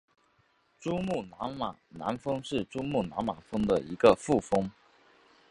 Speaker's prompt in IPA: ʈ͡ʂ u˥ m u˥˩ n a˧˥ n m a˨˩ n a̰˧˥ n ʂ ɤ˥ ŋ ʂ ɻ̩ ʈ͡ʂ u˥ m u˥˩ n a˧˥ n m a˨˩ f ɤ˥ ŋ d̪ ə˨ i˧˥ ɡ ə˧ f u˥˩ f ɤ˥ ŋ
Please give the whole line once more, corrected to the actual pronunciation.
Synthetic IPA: ʈ͡ʂ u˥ m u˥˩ n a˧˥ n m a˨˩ n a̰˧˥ n f ɤ˥ ŋ ʂ ɻ̩ ʈ͡ʂ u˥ m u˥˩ n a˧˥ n m a˨˩ f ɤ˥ ŋ d̪ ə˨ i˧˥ ɡ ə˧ f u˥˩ f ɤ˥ ŋ